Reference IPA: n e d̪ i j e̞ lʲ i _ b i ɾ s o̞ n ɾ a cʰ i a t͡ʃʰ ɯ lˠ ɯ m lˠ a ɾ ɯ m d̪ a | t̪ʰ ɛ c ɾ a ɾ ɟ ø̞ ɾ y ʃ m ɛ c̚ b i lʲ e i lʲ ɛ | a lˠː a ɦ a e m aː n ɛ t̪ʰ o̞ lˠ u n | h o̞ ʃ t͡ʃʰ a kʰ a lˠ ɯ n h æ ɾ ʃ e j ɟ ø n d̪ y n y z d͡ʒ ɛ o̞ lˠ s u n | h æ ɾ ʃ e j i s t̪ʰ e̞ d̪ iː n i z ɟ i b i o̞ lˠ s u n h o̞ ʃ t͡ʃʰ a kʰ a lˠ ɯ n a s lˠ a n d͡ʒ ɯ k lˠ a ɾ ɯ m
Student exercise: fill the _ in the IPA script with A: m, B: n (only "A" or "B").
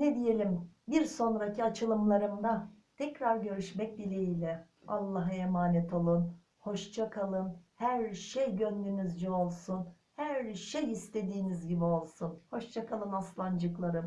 A